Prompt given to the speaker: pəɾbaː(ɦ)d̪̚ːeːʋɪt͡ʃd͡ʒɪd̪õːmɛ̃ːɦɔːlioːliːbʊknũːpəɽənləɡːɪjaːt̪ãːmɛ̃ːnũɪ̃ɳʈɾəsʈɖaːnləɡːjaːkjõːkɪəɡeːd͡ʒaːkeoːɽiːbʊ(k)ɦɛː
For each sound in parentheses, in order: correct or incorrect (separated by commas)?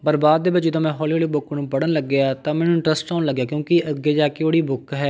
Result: incorrect, correct